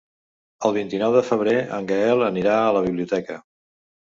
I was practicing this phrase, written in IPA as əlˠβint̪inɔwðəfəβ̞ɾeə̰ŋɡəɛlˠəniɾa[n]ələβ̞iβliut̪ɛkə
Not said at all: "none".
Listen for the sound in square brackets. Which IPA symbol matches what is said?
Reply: none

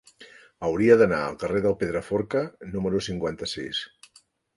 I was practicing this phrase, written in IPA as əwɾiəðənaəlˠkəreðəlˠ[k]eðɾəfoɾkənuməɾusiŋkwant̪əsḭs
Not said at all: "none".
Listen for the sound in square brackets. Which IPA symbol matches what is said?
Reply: p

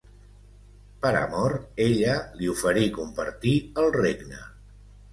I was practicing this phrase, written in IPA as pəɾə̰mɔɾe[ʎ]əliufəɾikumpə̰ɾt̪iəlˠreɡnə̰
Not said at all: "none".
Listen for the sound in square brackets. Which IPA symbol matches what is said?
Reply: ʎ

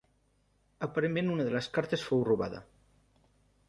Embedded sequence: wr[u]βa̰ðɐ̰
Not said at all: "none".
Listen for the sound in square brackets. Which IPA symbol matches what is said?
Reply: u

